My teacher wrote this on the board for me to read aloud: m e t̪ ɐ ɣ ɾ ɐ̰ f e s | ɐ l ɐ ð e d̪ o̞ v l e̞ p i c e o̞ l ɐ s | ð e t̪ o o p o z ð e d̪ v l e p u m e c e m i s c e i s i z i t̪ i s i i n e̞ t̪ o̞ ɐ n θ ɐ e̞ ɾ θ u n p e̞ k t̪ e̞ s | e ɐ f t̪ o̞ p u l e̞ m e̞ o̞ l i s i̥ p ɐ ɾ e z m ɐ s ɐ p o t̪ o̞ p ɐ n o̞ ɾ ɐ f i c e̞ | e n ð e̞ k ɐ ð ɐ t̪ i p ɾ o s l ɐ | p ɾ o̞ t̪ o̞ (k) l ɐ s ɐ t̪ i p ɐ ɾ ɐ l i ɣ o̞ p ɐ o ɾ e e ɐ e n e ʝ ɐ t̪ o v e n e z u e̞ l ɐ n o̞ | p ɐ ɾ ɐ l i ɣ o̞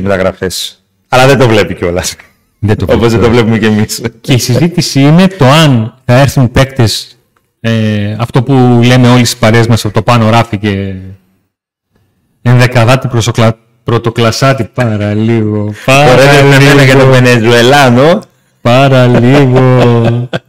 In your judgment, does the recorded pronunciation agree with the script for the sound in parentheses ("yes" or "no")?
yes